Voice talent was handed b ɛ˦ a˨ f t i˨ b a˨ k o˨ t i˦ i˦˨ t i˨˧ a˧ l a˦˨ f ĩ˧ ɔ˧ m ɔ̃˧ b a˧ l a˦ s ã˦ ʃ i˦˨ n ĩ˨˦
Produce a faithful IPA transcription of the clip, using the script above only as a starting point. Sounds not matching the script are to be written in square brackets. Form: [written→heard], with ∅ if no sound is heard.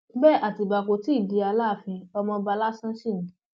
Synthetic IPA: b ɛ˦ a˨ [f→∅] t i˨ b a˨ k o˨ t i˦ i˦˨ [t→d] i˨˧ a˧ l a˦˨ f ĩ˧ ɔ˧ m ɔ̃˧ b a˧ l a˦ s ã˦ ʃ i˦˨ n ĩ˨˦